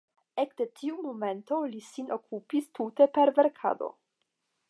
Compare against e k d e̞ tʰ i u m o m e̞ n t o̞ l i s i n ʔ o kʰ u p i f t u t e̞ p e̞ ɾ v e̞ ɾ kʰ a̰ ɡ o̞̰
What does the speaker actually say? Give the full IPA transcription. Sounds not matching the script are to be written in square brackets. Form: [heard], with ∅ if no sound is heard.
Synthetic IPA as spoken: e k d e̞ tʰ i u m o m e̞ n t o̞ l i s i n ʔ o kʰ u p i [s] t u t e̞ p e̞ ɾ v e̞ ɾ kʰ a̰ [d] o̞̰